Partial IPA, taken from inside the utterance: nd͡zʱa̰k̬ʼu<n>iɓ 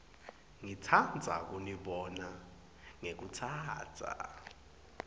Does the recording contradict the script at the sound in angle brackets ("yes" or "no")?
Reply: no